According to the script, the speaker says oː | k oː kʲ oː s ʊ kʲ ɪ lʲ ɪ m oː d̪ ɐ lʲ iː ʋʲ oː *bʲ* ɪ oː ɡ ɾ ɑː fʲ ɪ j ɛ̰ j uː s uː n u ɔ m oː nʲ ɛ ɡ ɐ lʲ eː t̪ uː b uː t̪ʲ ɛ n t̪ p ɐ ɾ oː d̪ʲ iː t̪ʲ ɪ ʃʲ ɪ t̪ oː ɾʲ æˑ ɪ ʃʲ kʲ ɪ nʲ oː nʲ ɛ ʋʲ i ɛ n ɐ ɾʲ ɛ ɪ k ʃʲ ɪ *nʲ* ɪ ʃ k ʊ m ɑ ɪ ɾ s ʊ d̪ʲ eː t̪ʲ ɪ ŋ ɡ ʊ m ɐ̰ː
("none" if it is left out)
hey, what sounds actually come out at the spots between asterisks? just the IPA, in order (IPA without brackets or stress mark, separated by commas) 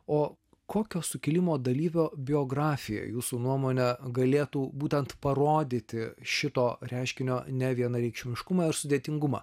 bʲ, mʲ